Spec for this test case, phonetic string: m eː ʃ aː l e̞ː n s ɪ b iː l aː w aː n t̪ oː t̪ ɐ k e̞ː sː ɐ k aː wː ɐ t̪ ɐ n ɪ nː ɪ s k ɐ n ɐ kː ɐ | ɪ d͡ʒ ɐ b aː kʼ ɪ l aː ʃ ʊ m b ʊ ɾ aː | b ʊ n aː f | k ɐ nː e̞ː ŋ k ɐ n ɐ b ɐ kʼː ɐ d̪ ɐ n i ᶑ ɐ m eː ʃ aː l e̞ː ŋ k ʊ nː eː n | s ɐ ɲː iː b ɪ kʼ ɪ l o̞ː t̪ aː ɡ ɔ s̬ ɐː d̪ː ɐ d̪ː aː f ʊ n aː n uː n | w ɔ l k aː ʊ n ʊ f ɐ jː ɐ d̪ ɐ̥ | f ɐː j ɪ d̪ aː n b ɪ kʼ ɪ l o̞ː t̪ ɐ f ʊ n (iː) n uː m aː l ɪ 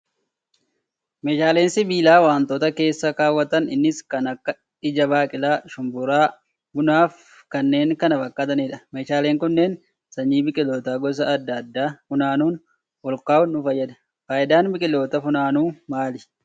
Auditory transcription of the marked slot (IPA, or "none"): aː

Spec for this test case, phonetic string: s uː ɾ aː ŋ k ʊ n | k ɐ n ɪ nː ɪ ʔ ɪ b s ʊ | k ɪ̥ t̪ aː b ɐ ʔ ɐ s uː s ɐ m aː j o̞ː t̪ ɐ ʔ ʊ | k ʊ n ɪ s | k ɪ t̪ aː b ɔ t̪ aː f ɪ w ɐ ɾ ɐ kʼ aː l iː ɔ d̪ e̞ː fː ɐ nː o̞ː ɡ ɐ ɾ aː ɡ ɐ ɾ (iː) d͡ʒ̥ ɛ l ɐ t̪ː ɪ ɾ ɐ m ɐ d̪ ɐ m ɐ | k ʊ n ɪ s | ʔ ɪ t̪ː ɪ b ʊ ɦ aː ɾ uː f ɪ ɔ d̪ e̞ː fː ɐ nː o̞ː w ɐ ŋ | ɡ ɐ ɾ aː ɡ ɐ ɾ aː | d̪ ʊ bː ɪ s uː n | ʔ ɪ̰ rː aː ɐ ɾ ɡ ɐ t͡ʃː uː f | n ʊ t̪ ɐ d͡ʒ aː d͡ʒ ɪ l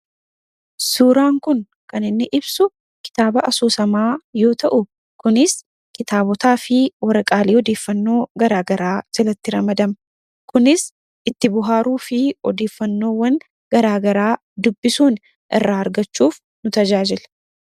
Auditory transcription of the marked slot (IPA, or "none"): aː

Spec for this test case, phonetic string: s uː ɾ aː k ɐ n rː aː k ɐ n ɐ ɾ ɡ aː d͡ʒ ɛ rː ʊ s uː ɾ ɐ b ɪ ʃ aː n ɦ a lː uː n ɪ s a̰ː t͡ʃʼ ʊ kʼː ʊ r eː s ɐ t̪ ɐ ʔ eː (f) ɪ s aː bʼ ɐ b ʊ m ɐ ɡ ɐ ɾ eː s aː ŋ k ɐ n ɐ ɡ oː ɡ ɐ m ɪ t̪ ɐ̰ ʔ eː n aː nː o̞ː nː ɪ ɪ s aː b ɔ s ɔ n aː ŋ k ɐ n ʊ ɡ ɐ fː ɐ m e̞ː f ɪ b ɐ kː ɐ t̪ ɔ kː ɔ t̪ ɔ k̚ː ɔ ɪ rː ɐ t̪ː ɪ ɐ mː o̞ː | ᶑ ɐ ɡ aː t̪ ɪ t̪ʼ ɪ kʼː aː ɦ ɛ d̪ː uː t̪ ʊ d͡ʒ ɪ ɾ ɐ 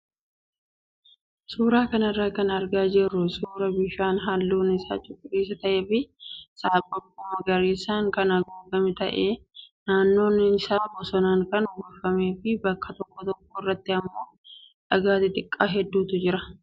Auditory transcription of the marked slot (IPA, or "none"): f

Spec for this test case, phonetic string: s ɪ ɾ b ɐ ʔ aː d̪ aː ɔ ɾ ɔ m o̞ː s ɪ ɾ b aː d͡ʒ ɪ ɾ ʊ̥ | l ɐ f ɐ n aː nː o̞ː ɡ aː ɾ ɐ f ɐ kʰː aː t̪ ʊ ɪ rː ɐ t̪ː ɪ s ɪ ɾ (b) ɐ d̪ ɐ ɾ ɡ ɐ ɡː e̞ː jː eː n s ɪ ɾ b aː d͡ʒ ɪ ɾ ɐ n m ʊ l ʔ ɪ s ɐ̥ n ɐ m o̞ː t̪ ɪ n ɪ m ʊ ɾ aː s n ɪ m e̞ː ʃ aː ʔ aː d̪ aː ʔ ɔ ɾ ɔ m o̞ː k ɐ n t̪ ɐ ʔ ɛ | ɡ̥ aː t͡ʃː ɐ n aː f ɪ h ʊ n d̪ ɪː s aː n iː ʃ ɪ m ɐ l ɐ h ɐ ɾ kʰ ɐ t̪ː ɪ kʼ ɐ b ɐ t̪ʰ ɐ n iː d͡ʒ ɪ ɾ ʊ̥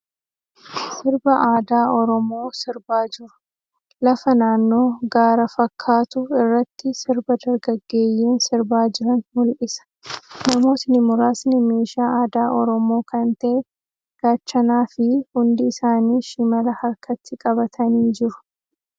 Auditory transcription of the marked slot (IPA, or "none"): b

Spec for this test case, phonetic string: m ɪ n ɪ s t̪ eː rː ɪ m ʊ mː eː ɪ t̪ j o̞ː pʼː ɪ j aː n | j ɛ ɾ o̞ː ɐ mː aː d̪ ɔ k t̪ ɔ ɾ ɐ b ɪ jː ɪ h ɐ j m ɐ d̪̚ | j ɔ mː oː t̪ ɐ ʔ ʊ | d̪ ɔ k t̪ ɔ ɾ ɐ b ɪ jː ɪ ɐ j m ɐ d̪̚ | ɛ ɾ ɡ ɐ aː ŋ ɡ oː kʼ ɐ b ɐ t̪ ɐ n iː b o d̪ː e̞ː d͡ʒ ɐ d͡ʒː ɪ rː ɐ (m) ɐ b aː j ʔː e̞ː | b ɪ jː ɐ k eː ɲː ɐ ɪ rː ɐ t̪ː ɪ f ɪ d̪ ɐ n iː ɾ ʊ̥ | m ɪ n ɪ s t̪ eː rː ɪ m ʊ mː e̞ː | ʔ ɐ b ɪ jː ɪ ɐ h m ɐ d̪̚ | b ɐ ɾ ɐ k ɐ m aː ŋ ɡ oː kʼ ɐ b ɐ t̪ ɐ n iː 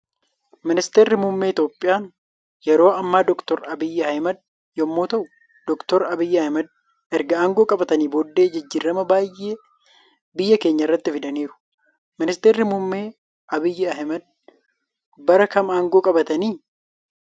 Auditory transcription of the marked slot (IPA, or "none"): m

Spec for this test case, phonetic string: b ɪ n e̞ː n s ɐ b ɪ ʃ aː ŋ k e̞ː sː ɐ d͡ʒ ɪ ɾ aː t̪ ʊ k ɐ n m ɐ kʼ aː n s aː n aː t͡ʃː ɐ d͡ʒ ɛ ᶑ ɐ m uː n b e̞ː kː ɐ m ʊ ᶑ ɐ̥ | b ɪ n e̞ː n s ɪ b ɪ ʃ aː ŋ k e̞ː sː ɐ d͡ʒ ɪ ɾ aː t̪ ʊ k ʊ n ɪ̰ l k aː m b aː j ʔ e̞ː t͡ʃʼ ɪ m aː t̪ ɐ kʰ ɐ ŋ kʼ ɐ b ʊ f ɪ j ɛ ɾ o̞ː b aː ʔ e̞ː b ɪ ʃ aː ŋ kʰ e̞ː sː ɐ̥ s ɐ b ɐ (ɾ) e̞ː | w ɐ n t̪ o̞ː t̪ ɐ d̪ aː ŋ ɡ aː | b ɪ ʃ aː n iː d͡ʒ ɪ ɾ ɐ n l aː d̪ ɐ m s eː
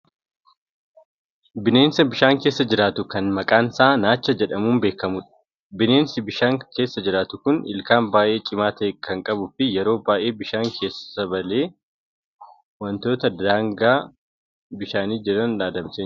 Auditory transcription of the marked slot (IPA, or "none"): l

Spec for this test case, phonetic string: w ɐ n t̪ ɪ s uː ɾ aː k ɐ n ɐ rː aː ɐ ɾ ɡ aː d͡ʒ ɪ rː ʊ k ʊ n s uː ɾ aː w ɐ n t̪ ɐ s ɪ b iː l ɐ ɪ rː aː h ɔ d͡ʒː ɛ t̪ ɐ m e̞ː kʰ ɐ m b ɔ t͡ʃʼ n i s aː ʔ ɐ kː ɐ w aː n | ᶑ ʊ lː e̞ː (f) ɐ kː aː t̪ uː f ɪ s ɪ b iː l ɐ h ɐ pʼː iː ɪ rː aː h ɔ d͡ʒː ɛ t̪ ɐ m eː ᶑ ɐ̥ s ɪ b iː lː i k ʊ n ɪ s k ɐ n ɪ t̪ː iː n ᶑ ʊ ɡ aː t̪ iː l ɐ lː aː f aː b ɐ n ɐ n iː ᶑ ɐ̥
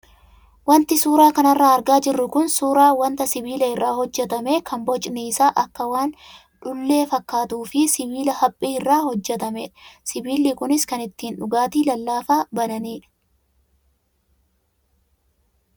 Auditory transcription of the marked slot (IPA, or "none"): f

